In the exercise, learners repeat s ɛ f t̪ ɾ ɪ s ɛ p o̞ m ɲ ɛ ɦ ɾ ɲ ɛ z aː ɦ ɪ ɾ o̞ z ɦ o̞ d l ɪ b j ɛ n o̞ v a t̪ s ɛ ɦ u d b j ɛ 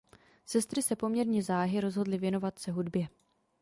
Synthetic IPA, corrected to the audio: s ɛ s t̪ ɾ ɪ s ɛ p o̞ m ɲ ɛ ɾ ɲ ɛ z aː ɦ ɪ ɾ o̞ z ɦ o̞ d l ɪ v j ɛ n o̞ v a t̪ s ɛ ɦ u d b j ɛ